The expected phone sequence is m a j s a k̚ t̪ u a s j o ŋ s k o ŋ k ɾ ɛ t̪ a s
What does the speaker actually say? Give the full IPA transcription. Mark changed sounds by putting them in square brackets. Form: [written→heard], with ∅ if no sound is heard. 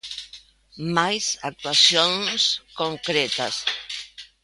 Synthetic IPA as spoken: m a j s a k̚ t̪ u a s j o [ŋ→n] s k o ŋ k ɾ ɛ t̪ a s